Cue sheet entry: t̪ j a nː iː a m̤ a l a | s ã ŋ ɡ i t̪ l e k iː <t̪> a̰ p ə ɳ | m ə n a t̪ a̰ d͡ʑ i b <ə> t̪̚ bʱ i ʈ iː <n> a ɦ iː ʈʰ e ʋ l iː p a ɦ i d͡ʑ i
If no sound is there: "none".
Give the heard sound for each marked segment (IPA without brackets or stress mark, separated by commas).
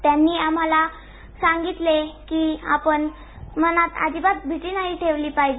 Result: none, a, n